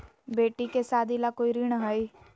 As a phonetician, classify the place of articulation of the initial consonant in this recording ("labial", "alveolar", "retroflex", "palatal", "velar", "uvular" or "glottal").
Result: labial